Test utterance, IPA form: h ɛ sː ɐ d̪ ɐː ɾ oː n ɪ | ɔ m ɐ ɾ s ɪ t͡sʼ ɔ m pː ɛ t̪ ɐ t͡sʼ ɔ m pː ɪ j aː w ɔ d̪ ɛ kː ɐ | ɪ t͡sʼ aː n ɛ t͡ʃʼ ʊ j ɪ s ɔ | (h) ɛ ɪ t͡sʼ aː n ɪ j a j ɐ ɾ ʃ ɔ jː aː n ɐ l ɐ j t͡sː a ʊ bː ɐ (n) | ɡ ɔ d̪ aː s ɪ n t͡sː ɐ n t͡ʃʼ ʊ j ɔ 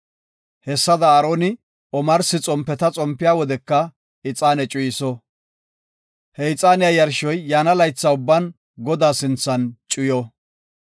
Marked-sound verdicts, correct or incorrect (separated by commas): correct, correct